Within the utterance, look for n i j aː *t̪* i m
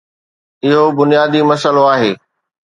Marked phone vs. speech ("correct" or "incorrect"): incorrect